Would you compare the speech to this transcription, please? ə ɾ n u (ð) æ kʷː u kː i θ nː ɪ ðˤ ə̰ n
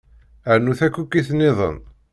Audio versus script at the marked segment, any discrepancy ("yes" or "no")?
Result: yes